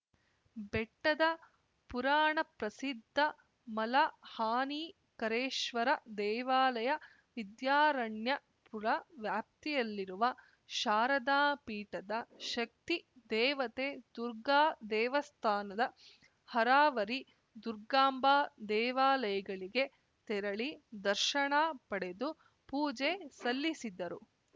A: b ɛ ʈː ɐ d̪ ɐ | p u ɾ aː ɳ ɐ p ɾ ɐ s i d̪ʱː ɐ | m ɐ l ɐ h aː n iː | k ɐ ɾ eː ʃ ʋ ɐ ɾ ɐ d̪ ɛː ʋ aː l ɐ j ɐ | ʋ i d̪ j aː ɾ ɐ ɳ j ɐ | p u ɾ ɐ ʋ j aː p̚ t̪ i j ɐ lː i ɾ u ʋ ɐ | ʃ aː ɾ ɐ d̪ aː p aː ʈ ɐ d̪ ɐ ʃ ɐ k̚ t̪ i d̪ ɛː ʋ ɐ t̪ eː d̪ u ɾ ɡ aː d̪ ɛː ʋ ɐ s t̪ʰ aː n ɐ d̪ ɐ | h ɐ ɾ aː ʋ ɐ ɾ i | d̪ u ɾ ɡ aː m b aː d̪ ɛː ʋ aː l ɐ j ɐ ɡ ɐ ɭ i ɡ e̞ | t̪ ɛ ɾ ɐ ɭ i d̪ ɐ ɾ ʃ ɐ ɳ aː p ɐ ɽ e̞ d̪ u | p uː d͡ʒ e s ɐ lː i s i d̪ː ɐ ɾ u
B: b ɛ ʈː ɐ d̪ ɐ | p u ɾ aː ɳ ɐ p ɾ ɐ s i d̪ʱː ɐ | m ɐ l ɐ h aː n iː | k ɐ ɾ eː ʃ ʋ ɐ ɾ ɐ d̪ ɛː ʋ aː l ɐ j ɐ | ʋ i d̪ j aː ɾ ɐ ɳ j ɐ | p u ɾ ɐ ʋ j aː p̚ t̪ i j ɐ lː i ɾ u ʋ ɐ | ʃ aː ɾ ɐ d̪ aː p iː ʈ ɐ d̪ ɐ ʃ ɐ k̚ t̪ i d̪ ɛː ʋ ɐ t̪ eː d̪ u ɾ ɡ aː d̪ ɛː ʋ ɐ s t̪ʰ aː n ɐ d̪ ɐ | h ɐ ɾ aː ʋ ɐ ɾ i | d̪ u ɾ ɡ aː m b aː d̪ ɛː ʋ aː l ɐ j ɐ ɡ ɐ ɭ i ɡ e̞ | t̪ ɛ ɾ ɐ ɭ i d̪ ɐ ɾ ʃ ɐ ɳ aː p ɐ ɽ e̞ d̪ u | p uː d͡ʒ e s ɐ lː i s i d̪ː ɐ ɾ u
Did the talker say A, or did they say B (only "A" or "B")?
B